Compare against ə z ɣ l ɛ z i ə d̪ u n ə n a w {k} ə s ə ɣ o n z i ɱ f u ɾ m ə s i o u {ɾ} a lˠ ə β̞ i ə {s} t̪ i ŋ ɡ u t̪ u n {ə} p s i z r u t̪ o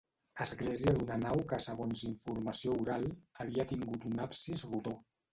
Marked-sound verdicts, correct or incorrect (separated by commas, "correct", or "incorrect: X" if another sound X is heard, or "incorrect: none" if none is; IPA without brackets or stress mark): correct, correct, incorrect: none, incorrect: a